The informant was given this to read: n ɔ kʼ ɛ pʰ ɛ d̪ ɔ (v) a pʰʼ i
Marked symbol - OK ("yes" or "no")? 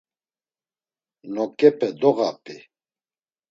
no